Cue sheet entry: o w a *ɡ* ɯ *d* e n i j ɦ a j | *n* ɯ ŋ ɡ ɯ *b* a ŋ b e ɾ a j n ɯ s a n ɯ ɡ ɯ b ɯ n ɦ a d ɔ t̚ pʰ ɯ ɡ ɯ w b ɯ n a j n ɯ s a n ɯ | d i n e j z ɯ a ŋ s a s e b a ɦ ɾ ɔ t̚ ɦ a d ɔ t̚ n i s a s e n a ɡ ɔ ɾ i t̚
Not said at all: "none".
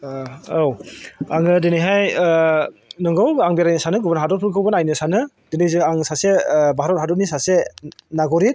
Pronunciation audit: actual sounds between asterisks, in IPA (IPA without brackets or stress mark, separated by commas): ŋ, d, n, w